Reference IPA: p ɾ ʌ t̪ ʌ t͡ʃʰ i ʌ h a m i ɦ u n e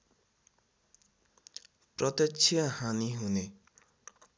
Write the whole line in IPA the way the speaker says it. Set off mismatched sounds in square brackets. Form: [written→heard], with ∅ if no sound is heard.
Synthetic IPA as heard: p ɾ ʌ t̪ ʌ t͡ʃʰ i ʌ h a [m→n] i ɦ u n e